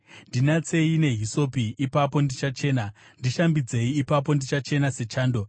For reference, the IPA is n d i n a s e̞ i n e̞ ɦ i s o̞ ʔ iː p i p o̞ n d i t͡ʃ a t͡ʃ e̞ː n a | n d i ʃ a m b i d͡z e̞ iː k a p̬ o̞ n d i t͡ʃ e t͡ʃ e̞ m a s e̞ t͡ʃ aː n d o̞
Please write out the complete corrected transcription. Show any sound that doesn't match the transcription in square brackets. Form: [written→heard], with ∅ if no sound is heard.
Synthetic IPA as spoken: n d i n a [s→t͡s] e̞ i n e̞ ɦ i s o̞ [ʔ→p] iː p [i→a] p o̞ n d i t͡ʃ a t͡ʃ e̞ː n a | n d i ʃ a m b i d͡z e̞ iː [k→p] a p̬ o̞ n d i t͡ʃ [e→a] t͡ʃ e̞ [m→n] a s e̞ t͡ʃ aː n d o̞